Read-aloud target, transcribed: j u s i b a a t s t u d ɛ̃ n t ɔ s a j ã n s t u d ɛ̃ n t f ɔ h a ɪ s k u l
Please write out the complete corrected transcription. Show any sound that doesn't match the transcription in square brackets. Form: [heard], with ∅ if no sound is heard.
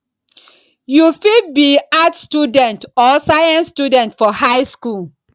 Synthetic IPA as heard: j u [f] i b [i] a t s t u d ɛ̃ n t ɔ s a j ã n s t u d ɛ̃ n t f ɔ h a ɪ s k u l